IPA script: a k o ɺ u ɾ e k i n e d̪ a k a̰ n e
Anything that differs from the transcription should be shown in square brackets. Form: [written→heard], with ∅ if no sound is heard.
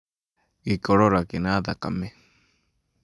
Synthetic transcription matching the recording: [a→i] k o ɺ [u→o] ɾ [e→a] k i n [e→a] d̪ a k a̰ [n→m] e